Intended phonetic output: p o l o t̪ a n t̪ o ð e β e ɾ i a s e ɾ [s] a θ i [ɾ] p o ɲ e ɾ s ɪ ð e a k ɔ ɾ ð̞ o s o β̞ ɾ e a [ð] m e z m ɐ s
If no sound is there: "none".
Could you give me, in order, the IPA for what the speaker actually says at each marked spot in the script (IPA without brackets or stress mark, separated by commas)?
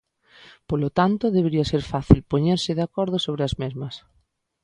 f, l, z